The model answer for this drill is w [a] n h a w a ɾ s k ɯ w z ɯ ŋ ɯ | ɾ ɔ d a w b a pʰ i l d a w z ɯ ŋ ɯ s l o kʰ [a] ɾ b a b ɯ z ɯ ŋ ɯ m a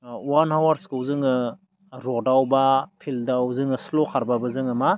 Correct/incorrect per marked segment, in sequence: correct, correct

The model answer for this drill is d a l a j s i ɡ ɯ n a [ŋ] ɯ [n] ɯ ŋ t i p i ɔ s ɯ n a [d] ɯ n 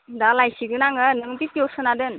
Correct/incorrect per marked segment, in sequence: correct, correct, correct

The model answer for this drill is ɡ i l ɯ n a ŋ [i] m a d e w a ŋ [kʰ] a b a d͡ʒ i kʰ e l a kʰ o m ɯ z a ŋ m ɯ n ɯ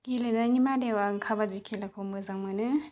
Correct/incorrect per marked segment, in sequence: correct, correct

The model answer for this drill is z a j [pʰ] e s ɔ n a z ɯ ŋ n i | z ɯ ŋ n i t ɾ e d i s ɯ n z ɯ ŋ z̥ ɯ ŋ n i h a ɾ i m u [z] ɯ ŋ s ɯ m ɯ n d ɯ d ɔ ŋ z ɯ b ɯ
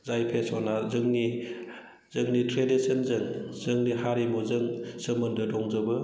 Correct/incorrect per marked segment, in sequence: correct, correct

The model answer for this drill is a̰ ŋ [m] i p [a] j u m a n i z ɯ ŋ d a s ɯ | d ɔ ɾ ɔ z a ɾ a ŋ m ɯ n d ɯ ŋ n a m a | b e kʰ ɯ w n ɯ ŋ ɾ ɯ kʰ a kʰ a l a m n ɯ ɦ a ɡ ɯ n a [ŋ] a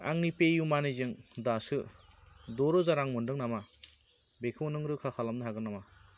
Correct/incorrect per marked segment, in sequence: incorrect: n, incorrect: e, incorrect: m

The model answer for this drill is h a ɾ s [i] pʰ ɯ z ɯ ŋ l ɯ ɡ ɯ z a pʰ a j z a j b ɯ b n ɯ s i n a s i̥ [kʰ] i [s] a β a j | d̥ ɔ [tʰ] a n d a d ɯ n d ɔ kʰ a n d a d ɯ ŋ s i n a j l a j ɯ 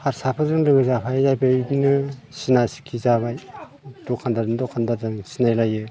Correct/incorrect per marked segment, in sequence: incorrect: a, correct, incorrect: z, incorrect: kʰ

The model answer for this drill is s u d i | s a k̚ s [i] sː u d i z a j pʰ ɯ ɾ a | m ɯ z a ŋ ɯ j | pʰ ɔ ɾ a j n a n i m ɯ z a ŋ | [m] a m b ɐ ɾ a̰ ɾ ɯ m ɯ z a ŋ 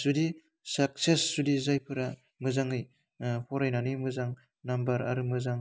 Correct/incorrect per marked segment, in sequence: incorrect: e, incorrect: n

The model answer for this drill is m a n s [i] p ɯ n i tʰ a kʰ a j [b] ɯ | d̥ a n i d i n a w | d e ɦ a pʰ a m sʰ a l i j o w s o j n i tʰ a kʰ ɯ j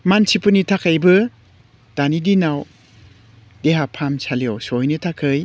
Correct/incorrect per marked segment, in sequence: correct, correct

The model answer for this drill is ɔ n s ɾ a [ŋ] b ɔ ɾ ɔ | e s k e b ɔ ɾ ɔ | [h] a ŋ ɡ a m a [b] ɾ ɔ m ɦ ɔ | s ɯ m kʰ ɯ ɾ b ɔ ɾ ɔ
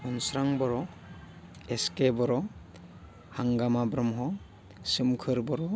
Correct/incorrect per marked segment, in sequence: correct, correct, correct

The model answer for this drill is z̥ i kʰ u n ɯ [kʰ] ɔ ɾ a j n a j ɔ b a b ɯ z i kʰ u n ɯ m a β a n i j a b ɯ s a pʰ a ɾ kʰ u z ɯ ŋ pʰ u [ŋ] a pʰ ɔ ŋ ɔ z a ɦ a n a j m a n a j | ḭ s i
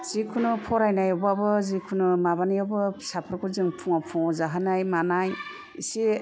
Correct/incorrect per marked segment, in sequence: incorrect: pʰ, correct

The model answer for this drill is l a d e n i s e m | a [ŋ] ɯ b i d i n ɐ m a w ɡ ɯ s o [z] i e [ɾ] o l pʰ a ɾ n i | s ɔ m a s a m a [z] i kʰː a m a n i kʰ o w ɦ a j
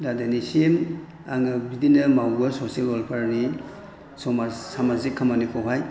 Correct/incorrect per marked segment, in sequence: correct, incorrect: s, incorrect: l, correct

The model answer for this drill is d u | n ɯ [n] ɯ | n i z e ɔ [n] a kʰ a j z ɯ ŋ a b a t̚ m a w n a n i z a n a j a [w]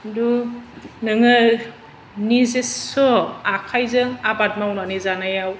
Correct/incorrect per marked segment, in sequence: incorrect: ŋ, incorrect: none, correct

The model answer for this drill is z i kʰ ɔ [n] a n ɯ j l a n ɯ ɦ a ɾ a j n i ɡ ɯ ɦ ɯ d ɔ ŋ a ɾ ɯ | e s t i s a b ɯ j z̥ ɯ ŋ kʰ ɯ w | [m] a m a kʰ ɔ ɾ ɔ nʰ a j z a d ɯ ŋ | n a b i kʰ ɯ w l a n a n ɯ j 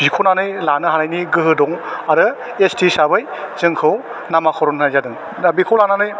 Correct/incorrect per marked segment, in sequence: correct, incorrect: n

